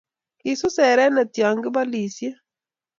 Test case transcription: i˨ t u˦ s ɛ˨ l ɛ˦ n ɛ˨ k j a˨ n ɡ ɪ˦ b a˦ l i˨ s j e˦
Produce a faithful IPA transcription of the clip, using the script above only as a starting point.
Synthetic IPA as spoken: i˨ s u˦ s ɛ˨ ɾ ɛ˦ n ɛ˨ t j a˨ ŋ ɡ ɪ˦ b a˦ l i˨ s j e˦

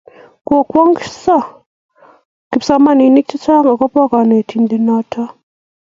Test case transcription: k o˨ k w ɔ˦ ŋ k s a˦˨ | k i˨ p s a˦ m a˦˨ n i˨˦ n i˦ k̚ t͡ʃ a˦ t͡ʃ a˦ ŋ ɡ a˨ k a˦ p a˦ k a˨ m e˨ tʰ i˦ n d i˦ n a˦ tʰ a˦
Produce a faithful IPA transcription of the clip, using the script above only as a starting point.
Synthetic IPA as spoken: k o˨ k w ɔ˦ ŋ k s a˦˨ | k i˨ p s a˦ m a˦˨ n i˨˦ n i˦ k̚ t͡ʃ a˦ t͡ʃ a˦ ŋ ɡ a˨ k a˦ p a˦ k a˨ n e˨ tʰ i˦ n d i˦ n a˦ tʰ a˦

